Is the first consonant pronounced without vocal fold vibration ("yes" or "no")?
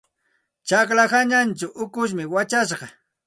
yes